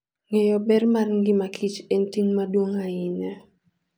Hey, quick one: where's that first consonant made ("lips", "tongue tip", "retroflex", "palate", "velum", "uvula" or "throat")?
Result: velum